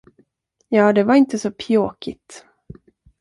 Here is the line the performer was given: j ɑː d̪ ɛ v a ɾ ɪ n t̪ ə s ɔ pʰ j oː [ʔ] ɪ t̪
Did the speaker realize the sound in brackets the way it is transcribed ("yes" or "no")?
no